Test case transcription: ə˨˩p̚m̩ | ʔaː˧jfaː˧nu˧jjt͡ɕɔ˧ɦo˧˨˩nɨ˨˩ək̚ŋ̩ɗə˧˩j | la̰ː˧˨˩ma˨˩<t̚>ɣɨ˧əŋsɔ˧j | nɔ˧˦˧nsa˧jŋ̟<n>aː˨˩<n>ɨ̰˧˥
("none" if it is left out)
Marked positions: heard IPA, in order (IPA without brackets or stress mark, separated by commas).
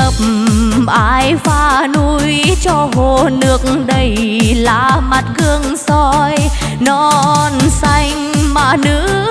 t̚, m, n